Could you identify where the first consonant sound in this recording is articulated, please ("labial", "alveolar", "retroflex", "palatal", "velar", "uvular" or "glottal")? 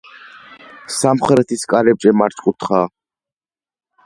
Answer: alveolar